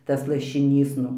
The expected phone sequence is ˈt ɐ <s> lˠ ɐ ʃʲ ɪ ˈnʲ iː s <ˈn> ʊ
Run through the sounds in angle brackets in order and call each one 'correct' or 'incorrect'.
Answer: correct, correct

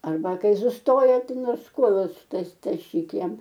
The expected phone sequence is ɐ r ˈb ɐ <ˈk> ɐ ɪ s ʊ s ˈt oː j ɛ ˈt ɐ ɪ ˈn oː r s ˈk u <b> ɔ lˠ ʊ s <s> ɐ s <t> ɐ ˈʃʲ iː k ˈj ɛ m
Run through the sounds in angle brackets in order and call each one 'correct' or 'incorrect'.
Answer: correct, incorrect, incorrect, correct

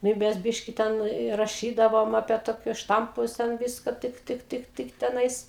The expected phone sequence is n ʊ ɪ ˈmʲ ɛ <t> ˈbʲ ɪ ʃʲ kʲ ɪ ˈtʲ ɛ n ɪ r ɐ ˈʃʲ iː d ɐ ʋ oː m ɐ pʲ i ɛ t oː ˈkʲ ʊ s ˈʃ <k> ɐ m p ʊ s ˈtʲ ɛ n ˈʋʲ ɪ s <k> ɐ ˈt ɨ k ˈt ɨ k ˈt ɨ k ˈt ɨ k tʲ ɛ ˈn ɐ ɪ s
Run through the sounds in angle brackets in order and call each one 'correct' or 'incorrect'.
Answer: incorrect, incorrect, correct

